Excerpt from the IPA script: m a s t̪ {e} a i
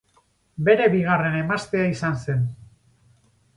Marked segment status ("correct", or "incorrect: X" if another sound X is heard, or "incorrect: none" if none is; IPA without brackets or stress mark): correct